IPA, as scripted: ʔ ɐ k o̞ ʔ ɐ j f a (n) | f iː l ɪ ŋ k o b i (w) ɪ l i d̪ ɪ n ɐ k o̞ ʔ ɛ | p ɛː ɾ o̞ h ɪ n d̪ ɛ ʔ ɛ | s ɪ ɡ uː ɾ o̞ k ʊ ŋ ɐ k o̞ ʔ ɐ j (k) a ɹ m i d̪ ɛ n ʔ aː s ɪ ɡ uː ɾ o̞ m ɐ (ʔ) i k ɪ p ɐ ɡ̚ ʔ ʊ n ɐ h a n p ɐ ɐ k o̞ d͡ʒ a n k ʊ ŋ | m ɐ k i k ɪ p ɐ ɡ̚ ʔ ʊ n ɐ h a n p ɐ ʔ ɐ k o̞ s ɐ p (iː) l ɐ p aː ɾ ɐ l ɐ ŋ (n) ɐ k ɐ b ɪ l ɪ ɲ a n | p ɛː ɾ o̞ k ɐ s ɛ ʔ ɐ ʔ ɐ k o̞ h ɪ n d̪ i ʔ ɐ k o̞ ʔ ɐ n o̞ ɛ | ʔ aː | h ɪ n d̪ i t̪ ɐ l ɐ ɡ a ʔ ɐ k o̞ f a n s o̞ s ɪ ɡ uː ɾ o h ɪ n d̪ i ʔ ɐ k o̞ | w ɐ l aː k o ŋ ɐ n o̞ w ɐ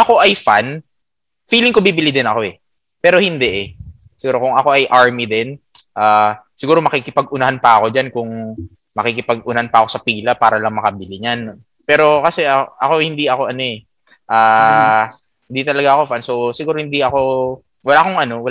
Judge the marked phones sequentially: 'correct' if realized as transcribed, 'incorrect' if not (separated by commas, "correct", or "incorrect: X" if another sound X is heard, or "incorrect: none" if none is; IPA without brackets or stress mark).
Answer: correct, incorrect: b, incorrect: ʔ, incorrect: k, correct, incorrect: m